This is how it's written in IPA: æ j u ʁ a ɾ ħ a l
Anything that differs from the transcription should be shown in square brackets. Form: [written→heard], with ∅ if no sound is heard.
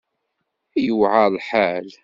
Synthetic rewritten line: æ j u [ʁ→ʕ] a [ɾ→l] ħ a l